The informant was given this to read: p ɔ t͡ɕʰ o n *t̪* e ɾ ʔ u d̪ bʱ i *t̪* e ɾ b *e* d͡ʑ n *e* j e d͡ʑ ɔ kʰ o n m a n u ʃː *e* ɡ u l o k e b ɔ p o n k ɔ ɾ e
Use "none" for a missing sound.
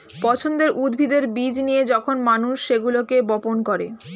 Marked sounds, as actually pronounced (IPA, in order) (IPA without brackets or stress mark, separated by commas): d̪, d̪, i, i, e